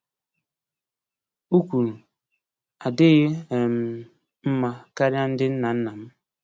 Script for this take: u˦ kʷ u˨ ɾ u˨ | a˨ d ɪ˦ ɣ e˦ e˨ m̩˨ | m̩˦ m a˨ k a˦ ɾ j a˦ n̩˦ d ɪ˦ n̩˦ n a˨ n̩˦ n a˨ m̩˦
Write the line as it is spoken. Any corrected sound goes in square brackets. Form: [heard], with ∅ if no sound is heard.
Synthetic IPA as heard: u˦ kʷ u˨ ɾ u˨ | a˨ d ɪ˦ ɣ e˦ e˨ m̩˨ | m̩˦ m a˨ k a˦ ɾ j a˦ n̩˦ d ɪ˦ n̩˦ n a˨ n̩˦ n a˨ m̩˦